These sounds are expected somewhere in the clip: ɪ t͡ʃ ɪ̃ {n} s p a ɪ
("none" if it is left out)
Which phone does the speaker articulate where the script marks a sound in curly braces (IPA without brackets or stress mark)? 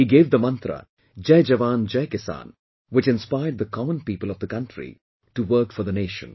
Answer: n